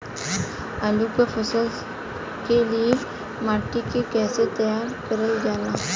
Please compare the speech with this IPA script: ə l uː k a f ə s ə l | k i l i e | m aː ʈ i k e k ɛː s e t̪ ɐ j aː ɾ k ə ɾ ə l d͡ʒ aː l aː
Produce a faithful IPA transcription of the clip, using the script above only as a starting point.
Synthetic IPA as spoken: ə l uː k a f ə s ə l | k e l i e | m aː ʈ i k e k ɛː s e t̪ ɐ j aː ɾ k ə ɾ ə l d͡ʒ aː l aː